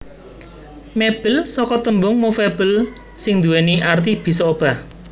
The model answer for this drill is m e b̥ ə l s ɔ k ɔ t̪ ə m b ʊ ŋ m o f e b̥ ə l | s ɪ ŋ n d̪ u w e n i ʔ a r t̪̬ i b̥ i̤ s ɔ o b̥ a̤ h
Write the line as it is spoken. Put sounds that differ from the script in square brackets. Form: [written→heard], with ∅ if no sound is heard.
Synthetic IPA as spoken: m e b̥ ə l s ɔ k ɔ t̪ ə m b ʊ ŋ m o f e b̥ ə l | s ɪ ŋ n d̪ u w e n i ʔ a r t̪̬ i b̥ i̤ s ɔ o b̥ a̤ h